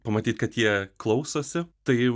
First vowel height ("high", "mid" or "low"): low